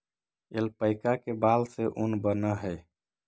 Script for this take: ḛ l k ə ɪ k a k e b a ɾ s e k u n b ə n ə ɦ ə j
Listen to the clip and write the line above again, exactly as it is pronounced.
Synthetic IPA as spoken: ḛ l p ə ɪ k a k e b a l s e ʔ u n b ə n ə ɦ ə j